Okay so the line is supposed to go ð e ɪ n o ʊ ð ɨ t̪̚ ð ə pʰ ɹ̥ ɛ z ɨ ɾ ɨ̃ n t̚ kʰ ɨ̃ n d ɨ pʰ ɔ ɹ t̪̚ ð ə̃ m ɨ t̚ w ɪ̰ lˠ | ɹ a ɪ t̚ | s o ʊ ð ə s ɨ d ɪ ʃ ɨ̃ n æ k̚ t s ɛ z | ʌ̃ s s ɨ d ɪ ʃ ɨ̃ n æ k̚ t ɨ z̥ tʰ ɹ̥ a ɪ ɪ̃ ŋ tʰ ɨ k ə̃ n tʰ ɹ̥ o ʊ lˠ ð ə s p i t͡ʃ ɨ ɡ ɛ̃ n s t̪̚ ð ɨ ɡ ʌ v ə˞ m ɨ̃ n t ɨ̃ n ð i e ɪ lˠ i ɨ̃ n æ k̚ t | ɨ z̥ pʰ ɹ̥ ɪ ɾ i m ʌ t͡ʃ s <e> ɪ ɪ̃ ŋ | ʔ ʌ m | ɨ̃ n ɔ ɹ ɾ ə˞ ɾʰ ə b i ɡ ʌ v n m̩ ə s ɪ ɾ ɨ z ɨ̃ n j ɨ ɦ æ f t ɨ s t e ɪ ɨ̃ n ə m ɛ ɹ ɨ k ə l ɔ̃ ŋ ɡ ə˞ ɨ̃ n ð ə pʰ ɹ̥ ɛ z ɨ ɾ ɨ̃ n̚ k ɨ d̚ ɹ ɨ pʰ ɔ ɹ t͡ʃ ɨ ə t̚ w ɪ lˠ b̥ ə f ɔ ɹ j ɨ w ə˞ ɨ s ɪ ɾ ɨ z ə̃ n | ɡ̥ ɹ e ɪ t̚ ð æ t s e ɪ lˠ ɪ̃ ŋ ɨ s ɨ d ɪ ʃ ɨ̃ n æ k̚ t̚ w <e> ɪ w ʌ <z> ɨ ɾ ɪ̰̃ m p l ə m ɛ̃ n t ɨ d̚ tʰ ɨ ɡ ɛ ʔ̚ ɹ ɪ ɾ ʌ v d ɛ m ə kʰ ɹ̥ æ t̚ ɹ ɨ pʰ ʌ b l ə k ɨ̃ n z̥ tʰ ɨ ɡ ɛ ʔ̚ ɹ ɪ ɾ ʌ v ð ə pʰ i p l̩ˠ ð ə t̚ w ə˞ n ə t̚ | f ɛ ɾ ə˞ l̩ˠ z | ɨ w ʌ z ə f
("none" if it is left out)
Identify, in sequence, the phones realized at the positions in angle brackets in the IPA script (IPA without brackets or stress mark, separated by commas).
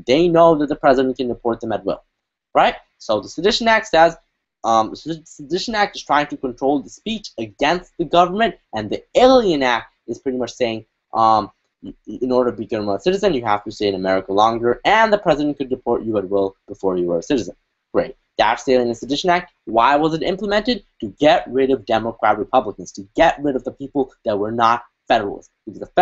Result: e, a, z